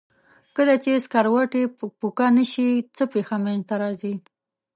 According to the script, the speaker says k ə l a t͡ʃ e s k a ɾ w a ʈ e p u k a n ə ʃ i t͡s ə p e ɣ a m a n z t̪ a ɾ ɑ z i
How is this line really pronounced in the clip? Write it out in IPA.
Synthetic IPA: k ə l a t͡ʃ e s k a ɾ w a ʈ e p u k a n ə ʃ i t͡s ə p e x a m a n z t̪ a ɾ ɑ z i